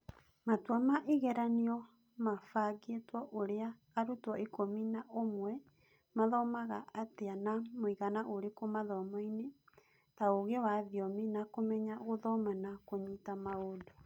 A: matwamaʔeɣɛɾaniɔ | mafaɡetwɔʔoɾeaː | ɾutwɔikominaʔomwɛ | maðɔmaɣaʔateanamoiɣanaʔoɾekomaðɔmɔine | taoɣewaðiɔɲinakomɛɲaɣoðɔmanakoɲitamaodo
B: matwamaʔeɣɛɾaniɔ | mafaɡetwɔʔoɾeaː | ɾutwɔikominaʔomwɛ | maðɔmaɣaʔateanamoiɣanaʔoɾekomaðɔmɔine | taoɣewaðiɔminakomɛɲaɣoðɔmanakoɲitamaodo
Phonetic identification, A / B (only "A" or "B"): B